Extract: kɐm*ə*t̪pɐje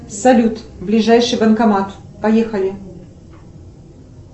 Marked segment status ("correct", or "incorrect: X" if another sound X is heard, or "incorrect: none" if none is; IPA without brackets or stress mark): incorrect: a